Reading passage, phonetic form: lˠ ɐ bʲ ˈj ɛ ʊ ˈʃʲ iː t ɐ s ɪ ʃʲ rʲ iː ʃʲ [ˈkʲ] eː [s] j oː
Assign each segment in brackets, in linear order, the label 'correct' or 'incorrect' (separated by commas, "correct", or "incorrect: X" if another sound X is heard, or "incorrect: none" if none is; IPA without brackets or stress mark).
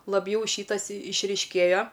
correct, incorrect: none